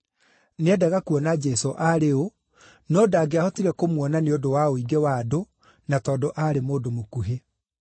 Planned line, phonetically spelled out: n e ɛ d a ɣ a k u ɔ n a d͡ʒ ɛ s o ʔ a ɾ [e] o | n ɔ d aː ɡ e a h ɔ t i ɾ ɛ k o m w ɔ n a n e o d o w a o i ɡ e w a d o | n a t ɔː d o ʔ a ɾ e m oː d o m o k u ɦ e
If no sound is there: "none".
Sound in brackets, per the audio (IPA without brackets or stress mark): e